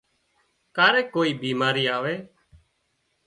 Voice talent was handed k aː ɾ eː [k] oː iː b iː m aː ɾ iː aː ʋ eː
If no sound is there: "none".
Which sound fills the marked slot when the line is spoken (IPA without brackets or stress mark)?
k